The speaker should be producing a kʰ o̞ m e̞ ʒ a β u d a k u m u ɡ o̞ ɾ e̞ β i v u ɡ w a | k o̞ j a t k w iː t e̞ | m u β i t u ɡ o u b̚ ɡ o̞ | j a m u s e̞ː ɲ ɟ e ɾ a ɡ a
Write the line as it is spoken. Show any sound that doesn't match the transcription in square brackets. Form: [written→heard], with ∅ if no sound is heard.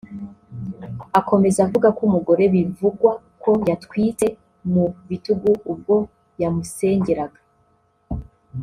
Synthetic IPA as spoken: a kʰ o̞ m e̞ [ʒ→z] a [β→v] u [d→ɡ] a k u m u ɡ o̞ ɾ e̞ β i v u ɡ w a | k o̞ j a t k w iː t e̞ | m u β i t u ɡ [o→u] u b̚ ɡ o̞ | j a m u s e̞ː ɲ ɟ e ɾ a ɡ a